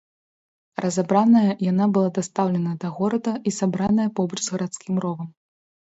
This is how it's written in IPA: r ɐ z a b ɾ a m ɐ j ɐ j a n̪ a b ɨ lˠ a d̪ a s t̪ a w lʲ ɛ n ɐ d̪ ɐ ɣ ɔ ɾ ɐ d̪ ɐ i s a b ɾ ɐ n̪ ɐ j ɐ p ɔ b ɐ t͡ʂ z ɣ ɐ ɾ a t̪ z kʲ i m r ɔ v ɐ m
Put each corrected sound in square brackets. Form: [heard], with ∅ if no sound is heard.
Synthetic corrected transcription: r ɐ z a b ɾ a [n] ɐ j ɐ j a n̪ a b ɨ lˠ a d̪ a s t̪ a w lʲ ɛ n ɐ d̪ ɐ ɣ ɔ ɾ ɐ d̪ ɐ i s a b ɾ [a] n̪ ɐ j ɐ p ɔ b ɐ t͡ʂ z ɣ ɐ ɾ a t̪ [s] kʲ i m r ɔ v ɐ m